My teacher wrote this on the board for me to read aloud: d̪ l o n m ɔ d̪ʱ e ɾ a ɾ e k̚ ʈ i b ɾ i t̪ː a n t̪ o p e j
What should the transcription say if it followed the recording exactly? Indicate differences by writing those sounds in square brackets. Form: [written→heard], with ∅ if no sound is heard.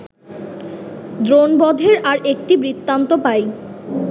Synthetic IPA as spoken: d̪ [l→ɾ] o n [m→b] ɔ d̪ʱ e ɾ a ɾ e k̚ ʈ i b ɾ i t̪ː a n t̪ o p [e→a] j